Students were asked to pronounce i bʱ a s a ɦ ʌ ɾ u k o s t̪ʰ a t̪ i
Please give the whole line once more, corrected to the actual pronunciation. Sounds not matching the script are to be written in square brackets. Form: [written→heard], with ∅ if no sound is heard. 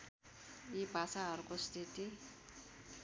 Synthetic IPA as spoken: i bʱ a s a ɦ ʌ ɾ u k o s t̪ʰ [a→i] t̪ i